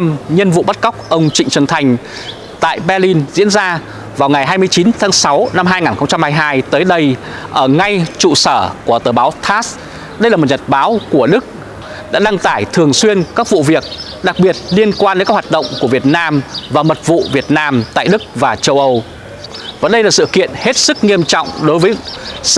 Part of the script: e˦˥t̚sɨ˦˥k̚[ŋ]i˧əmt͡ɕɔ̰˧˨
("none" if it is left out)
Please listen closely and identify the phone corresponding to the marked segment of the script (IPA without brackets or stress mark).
ŋ